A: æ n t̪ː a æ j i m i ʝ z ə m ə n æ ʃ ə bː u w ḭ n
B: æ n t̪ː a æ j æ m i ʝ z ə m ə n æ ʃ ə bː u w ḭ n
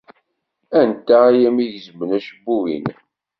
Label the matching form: B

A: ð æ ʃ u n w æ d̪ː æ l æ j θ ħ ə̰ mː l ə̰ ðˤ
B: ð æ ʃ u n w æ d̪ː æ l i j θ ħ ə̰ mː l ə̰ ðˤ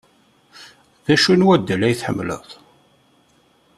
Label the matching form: A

